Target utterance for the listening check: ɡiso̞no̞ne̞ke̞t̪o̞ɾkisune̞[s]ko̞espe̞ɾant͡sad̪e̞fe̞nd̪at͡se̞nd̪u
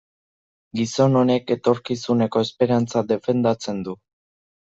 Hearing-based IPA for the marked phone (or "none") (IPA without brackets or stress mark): none